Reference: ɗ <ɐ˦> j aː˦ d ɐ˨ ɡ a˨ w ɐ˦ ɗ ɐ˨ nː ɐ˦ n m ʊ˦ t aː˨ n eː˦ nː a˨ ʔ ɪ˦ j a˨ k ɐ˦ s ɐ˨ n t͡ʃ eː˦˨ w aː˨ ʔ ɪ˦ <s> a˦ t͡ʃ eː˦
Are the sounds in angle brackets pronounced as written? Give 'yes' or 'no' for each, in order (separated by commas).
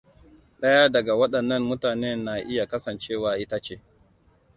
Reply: yes, no